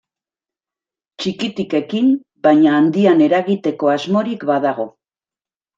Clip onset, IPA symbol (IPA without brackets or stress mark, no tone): t͡ʃ